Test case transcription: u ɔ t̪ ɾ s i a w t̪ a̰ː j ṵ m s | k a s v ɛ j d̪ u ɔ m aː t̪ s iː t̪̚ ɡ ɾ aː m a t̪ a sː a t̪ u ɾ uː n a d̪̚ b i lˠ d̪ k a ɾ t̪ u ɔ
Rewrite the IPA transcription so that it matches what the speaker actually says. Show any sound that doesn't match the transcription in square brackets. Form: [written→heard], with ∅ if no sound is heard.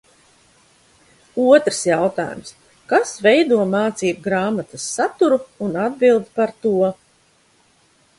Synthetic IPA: u ɔ t̪ ɾ s [i→j] a w t̪ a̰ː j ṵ m s | k a s v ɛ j d̪ u ɔ m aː t̪ s iː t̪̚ ɡ ɾ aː m a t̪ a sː a t̪ u ɾ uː n a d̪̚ b i lˠ d̪ [k→p] a ɾ t̪ u ɔ